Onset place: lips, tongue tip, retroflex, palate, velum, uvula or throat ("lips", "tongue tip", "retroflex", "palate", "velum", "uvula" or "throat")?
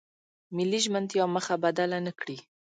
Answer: lips